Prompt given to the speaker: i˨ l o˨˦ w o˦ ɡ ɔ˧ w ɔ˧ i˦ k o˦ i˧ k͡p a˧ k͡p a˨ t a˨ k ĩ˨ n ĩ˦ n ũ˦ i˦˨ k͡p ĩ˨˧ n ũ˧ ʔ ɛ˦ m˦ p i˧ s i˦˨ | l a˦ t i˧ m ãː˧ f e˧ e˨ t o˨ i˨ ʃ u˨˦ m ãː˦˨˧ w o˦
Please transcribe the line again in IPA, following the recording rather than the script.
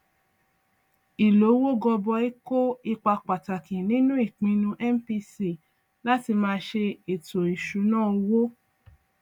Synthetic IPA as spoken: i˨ l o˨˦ w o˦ ɡ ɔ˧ b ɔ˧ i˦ k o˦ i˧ k͡p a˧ k͡p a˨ t a˨ k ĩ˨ n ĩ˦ n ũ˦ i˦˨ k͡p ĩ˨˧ n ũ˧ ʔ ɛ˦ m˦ p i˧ s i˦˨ | l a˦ t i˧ m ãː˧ ʃ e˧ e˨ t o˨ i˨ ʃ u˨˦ n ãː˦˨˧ w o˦

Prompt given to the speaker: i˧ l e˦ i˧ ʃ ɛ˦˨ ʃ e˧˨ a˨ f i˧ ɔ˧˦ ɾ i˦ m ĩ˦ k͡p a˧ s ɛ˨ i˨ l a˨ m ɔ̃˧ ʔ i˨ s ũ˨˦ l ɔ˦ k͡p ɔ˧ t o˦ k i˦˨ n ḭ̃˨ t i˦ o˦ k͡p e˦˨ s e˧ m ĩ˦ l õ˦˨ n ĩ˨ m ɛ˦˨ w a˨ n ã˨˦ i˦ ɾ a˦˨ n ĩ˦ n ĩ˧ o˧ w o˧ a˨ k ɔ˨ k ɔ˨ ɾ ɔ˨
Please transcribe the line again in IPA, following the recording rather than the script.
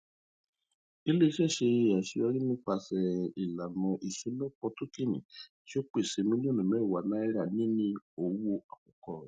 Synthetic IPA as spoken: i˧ l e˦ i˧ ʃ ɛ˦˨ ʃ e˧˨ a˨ ʃ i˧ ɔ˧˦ ɾ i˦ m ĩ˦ k͡p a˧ s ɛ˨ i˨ l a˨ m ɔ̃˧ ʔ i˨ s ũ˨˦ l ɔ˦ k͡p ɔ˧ t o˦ k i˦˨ n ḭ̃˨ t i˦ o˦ k͡p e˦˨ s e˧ m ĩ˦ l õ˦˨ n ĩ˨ m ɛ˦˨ w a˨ n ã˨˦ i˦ ɾ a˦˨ n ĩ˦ n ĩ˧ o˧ w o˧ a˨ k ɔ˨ k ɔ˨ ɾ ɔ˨

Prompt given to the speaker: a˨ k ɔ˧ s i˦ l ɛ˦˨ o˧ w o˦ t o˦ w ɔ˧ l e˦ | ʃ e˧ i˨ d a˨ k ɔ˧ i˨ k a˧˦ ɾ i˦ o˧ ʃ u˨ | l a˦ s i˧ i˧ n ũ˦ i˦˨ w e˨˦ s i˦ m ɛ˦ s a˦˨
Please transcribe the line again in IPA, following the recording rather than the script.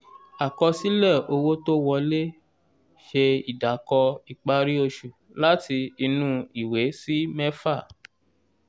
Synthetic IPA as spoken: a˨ k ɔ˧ s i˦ l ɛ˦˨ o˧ w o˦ t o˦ w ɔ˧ l e˦ | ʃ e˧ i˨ d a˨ k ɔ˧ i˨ k͡p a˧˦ ɾ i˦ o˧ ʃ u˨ | l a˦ t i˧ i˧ n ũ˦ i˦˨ w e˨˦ s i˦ m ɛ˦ f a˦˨

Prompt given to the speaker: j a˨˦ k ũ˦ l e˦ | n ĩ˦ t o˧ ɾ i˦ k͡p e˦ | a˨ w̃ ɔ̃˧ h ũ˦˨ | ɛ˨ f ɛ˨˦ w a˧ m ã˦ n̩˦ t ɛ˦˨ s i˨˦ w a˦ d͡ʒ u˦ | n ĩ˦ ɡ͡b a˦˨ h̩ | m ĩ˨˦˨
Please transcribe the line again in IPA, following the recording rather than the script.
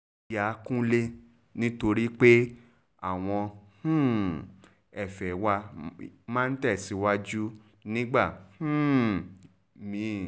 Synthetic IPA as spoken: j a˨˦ k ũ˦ l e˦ | n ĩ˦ t o˧ ɾ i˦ k͡p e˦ | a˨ w̃ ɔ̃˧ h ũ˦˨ | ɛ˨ f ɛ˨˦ w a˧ m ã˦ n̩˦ t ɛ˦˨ s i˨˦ w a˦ d͡ʒ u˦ | n ĩ˦ ɡ͡b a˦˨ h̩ | m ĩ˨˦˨

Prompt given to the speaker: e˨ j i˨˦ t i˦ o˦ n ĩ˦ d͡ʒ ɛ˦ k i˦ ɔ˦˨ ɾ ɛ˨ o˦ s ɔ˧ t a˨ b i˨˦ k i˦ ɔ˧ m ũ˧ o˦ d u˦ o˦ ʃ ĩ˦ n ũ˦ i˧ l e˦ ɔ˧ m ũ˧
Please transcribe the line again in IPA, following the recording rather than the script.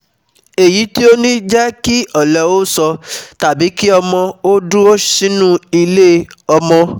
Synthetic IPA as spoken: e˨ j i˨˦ t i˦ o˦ n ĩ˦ d͡ʒ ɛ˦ k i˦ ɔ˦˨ l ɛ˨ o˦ s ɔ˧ t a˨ b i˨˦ k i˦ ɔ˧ m ɔ̃˧ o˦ d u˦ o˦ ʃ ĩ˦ n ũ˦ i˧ l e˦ ɔ˧ m ɔ̃˧

